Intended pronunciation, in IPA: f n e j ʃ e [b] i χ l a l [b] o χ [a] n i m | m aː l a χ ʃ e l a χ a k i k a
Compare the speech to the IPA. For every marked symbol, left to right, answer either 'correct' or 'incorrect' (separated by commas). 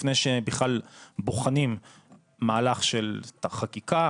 correct, correct, correct